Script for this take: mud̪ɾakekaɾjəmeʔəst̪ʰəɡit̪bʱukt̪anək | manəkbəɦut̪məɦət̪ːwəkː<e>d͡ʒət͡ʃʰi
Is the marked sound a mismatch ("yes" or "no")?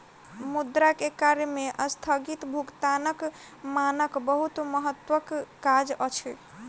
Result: yes